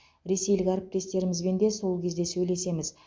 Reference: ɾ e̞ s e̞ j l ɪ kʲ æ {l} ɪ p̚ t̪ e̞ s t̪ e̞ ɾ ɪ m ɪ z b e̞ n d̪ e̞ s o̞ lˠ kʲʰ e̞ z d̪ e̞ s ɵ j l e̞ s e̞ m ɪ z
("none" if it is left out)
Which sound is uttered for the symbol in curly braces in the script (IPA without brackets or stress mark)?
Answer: ɾ